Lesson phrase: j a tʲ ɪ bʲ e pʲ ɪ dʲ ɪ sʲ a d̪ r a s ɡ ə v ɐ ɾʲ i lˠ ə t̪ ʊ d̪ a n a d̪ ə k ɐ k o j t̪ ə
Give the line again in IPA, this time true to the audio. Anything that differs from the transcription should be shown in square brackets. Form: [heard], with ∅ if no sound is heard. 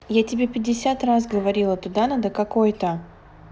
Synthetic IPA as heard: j a tʲ ɪ bʲ e pʲ ɪ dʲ ɪ sʲ a [t̪] r a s ɡ ə v ɐ ɾʲ i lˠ ə t̪ ʊ d̪ a n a d̪ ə k ɐ k o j t̪ ə